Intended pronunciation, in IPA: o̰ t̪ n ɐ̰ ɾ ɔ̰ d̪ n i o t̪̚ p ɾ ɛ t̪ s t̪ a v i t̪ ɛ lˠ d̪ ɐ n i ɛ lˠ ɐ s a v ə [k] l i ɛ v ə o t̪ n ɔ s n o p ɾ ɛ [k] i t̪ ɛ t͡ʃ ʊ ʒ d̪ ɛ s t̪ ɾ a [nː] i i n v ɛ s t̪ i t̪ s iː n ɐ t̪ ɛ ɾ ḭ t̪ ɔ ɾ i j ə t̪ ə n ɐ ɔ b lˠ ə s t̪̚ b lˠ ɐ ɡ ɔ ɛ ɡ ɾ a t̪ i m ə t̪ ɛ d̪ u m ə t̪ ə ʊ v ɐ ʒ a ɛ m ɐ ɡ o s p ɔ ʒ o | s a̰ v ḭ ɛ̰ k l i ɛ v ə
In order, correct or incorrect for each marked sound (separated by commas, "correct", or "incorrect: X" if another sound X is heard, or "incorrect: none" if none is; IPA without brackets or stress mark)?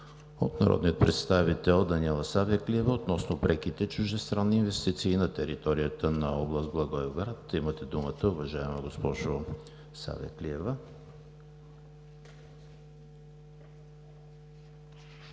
correct, correct, correct